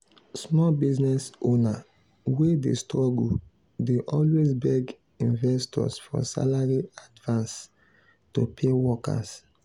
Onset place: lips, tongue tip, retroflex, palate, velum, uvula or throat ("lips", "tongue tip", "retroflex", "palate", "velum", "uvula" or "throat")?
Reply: tongue tip